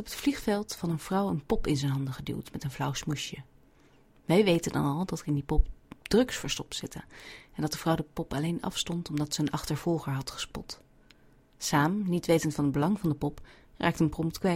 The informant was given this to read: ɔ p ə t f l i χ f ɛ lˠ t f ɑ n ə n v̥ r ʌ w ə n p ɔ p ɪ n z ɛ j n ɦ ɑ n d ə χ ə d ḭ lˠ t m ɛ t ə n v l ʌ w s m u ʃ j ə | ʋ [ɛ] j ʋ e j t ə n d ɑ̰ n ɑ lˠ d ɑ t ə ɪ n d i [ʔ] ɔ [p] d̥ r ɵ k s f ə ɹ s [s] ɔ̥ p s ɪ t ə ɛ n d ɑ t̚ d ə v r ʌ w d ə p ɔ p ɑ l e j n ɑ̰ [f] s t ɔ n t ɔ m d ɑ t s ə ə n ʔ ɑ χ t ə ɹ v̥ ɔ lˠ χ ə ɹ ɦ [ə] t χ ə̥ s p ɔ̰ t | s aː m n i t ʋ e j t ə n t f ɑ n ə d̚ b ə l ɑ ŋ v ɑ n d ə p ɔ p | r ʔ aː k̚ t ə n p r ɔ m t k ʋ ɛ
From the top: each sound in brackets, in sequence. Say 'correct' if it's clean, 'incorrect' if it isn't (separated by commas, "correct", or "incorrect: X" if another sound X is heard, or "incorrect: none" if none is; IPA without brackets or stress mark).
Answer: correct, incorrect: p, correct, incorrect: t, correct, incorrect: ɑ